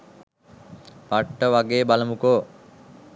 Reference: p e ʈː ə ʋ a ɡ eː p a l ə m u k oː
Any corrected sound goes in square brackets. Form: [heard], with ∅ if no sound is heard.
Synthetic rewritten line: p [a] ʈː ə ʋ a ɡ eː [b] a l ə m u k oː